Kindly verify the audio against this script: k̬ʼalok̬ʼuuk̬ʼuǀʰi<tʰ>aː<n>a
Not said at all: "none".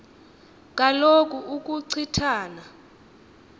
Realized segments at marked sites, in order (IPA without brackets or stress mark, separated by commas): tʰ, n